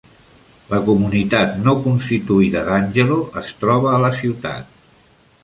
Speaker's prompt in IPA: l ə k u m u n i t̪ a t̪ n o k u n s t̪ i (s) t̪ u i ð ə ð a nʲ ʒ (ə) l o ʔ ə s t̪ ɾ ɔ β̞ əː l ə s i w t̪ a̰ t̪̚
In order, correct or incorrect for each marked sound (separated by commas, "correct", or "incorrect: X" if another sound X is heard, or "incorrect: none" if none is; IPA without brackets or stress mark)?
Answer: incorrect: none, correct